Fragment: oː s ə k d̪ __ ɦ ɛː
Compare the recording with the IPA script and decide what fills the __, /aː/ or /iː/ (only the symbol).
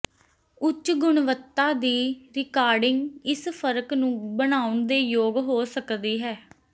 iː